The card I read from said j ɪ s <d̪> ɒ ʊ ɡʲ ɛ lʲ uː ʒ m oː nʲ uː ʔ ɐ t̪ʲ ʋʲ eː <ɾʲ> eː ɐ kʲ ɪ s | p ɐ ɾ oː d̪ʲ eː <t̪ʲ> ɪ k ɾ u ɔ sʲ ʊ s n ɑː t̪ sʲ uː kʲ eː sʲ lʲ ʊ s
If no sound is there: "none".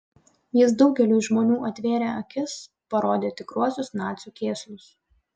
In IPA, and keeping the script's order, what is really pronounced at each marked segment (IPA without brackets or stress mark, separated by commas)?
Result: d̪, ɾʲ, t̪ʲ